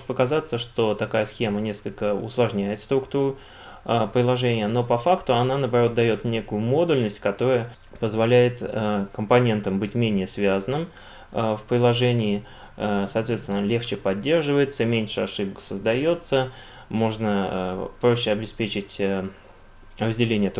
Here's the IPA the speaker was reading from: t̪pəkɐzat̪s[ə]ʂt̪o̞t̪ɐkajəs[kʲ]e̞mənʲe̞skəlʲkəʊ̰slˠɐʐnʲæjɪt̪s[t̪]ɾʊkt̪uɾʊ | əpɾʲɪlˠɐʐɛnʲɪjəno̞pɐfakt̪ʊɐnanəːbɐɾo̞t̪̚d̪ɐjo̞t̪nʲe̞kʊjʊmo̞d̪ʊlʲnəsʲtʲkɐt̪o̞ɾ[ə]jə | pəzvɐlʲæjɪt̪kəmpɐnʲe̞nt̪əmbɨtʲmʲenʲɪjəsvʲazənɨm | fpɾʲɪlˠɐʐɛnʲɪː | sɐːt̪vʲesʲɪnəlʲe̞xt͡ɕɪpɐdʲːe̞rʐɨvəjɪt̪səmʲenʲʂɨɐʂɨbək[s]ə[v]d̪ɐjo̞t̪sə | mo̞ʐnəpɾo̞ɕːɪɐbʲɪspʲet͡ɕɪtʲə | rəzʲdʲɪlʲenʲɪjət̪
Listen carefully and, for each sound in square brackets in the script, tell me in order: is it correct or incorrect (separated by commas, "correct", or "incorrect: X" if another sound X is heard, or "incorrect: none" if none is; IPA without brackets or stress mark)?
correct, incorrect: xʲ, correct, correct, correct, incorrect: z